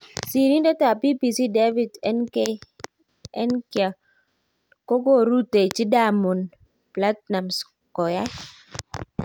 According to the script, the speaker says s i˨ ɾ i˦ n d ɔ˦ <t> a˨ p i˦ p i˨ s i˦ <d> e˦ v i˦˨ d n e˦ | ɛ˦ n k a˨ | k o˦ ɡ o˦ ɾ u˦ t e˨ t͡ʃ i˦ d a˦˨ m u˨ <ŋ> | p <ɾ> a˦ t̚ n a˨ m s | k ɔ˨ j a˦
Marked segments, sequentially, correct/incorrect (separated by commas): correct, correct, incorrect, incorrect